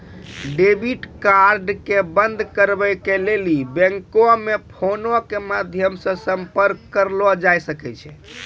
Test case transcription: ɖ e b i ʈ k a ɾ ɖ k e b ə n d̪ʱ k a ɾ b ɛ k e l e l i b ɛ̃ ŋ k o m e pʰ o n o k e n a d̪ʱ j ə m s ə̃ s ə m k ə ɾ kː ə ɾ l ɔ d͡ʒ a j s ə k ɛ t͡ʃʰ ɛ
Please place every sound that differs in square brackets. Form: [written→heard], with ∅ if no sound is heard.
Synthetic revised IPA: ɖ e b i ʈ k a ɾ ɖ k e b ə n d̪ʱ k [a→ə] ɾ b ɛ k e l e l i b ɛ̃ ŋ k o m e pʰ o n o k e [n→m] a d̪ʱ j ə m s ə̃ s ə m [k→p] ə ɾ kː ə ɾ l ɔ d͡ʒ a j s ə k ɛ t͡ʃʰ ɛ